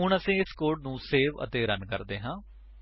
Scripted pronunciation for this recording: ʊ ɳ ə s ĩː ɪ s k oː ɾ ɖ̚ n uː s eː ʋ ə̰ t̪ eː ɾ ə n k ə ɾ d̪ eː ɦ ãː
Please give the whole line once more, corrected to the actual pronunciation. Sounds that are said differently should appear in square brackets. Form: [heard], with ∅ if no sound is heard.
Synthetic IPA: ʊ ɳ ə s ĩː ɪ s k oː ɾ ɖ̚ n [ũː] s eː ʋ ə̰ t̪ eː ɾ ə n k ə ɾ d̪ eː ɦ ãː